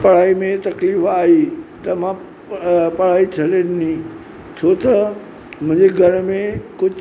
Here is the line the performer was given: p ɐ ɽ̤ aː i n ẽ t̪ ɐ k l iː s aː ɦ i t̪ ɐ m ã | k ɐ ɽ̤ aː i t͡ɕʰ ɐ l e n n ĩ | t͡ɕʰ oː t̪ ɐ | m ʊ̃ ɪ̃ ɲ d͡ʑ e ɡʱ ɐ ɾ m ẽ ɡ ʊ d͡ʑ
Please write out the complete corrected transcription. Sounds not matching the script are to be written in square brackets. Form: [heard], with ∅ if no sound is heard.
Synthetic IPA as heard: p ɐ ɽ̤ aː i [m] ẽ t̪ ɐ k l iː [f] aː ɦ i t̪ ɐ m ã | [p] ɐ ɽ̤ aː i t͡ɕʰ ɐ l e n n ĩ | t͡ɕʰ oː t̪ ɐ | m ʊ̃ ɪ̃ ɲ d͡ʑ e ɡʱ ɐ ɾ m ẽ [k] ʊ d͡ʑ